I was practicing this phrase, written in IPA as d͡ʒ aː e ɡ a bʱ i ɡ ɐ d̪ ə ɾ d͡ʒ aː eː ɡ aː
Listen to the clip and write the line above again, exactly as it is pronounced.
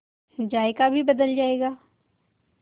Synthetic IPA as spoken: d͡ʒ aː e k a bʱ i b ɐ d̪ ə l d͡ʒ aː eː ɡ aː